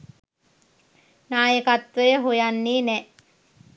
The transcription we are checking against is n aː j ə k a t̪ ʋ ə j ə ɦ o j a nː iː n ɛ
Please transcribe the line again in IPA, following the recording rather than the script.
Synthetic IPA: n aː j ə k a t̪ ʋ ə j ə ɦ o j a nː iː n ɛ